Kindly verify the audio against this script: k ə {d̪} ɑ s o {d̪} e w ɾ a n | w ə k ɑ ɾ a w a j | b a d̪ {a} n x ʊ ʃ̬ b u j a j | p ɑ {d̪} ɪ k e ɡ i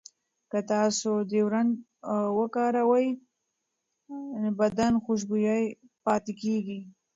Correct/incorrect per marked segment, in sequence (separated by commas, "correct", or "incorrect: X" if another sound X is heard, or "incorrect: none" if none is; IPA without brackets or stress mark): incorrect: t̪, correct, correct, incorrect: t̪